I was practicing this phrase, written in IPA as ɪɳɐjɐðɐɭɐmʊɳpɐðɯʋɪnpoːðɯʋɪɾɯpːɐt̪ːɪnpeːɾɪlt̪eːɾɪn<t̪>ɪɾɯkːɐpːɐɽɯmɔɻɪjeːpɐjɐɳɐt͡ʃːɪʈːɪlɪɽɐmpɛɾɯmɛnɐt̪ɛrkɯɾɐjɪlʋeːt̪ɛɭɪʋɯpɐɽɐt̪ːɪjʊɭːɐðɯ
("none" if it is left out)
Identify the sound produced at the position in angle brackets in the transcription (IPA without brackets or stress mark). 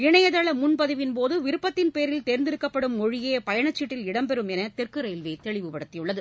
d̪